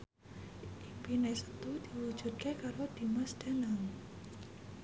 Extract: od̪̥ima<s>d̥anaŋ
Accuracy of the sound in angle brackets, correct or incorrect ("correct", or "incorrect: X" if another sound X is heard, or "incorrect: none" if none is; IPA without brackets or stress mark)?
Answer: correct